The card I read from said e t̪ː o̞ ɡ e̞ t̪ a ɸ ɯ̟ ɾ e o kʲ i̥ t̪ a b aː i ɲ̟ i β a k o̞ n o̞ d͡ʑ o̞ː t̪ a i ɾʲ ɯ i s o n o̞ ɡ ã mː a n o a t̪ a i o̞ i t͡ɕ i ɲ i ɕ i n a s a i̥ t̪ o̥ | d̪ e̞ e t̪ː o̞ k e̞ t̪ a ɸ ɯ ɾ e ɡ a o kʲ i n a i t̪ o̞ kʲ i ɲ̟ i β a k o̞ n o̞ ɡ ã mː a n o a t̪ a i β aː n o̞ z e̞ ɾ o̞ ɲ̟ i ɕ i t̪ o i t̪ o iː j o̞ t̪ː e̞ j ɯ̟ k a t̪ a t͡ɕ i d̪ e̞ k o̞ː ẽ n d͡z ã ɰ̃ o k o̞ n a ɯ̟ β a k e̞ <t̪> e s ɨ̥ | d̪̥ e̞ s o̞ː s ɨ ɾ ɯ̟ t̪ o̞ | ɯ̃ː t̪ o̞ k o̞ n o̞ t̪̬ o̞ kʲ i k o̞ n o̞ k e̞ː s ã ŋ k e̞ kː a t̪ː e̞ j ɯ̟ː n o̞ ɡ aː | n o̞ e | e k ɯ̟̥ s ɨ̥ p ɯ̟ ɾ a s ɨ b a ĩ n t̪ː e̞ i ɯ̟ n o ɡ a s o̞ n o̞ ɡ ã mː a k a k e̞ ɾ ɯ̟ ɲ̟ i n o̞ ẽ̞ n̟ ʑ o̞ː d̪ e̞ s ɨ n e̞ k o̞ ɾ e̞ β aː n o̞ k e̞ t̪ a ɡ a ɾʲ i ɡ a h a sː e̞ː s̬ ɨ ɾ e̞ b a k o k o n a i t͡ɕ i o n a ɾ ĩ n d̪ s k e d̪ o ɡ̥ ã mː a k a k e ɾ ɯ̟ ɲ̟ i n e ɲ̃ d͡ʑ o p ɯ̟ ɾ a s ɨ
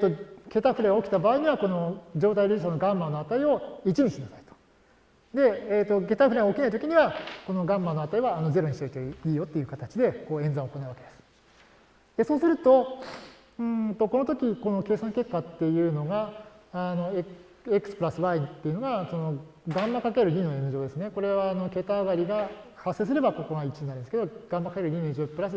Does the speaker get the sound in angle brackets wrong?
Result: yes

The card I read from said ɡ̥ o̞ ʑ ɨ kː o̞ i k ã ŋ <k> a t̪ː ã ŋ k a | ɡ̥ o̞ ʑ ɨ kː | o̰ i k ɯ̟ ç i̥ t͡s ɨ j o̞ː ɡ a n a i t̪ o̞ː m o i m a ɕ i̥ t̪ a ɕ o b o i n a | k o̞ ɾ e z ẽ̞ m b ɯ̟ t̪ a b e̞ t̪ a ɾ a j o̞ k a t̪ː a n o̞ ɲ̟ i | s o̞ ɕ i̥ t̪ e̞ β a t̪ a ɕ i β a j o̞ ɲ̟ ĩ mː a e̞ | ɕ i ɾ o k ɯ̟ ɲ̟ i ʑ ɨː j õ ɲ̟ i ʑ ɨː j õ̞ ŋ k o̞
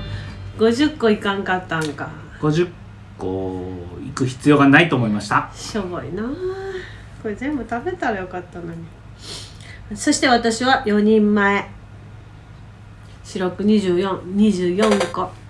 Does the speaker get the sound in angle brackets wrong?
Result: no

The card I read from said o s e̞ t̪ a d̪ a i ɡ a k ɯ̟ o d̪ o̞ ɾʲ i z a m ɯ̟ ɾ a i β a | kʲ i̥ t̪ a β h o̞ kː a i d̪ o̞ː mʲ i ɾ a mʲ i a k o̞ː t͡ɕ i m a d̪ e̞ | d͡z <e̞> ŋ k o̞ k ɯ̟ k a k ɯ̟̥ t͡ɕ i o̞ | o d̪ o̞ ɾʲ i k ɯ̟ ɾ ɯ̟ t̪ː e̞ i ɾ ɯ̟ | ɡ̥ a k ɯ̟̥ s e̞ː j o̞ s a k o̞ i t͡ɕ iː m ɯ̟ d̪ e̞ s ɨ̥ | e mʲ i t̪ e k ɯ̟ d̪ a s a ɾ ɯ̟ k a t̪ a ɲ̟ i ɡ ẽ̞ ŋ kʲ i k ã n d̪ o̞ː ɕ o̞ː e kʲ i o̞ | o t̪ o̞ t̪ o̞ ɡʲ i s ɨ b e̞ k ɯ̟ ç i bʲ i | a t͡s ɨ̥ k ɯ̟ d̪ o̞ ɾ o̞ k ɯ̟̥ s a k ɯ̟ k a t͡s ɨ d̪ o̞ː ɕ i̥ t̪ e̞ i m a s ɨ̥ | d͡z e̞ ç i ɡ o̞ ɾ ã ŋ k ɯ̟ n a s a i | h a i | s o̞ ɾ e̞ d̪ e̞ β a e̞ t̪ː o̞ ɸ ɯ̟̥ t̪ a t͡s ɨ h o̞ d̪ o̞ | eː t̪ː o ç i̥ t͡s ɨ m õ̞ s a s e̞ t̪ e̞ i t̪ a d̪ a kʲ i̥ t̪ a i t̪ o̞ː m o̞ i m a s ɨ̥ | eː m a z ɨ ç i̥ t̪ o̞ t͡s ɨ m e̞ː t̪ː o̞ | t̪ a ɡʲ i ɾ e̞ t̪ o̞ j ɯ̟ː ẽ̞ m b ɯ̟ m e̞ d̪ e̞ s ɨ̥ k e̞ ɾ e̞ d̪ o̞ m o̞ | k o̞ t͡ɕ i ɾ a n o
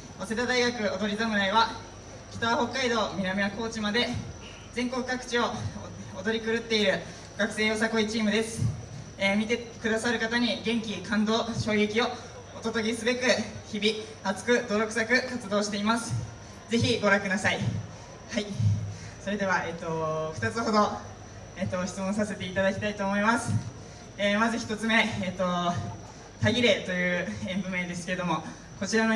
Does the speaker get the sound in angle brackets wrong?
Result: yes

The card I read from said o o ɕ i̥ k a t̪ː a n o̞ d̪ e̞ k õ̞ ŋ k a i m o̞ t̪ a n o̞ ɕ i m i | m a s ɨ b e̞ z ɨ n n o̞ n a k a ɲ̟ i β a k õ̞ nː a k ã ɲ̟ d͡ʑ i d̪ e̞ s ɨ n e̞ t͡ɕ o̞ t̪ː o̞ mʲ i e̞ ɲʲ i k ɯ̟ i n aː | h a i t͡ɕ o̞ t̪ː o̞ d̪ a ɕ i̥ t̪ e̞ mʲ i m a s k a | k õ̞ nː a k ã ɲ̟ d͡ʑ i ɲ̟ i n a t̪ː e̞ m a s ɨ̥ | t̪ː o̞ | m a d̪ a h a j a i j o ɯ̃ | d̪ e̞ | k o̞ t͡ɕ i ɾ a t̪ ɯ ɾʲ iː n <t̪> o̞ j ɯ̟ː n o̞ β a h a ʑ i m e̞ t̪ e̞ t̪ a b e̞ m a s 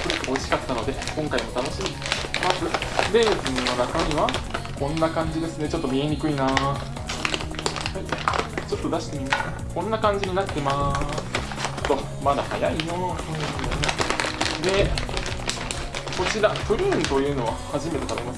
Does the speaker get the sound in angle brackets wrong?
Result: no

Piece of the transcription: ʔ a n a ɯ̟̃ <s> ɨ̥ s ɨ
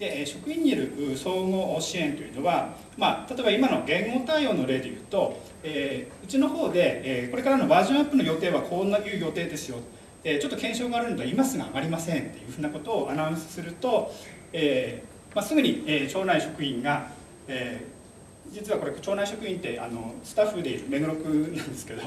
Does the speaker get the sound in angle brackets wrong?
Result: no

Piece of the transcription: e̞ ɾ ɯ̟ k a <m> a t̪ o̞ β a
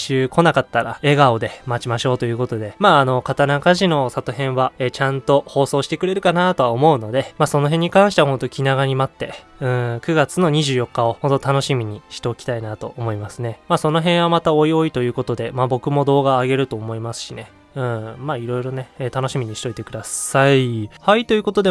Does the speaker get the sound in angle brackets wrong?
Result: yes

